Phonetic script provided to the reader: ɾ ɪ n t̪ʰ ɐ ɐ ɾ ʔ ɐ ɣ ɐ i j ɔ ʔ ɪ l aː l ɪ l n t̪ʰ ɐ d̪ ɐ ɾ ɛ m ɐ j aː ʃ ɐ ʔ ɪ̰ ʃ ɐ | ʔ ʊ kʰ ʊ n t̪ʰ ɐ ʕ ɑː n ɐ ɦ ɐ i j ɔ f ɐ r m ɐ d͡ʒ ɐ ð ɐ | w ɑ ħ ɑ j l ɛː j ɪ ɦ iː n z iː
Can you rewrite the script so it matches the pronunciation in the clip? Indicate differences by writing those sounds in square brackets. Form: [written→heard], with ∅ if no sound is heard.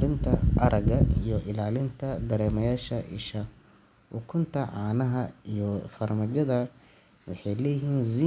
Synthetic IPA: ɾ ɪ n t̪ʰ ɐ ɐ ɾ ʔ ɐ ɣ ɐ i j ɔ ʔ ɪ l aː l ɪ [l→∅] n t̪ʰ ɐ d̪ ɐ ɾ [ɛ→ɛː] m ɐ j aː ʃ ɐ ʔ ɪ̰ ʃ ɐ | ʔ ʊ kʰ ʊ n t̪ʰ ɐ ʕ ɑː n ɐ ɦ ɐ i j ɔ f ɐ r m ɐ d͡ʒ ɐ ð ɐ | w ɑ ħ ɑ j l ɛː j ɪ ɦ iː n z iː